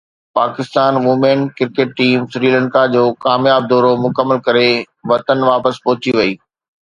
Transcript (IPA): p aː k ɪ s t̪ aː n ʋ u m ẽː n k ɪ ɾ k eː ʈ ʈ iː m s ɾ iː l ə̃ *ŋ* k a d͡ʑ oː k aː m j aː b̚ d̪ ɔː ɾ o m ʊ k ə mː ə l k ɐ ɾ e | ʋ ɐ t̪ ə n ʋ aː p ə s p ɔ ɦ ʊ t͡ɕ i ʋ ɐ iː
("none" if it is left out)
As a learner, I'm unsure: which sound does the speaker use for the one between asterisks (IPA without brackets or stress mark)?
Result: ɳ